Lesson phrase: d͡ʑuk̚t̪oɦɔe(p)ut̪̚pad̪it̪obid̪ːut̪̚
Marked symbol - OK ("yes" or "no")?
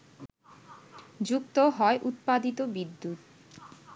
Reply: no